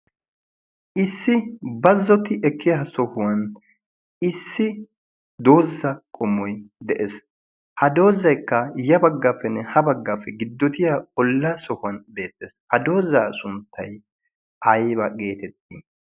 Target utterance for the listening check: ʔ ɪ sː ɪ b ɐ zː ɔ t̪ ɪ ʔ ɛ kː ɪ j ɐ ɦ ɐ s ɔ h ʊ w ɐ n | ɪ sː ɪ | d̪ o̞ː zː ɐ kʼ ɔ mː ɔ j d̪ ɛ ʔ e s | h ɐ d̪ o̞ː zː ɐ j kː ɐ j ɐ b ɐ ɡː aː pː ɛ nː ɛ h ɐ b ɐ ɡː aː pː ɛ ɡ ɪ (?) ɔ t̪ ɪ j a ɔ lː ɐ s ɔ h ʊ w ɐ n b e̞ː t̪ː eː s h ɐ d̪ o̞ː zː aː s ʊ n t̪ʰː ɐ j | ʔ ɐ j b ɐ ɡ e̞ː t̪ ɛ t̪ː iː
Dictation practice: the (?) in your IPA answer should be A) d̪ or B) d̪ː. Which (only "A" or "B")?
B